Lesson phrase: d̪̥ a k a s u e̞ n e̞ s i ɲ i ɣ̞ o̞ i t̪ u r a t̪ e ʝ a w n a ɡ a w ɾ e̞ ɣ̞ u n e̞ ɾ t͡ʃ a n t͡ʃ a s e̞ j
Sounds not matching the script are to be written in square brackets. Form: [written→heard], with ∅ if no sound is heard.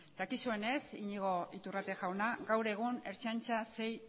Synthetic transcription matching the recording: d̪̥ a k [a→i] s u e̞ n e̞ s i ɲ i ɣ̞ o̞ i t̪ u r a t̪ e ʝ a w n a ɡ a w ɾ e̞ ɣ̞ u n e̞ ɾ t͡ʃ a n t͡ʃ a s e̞ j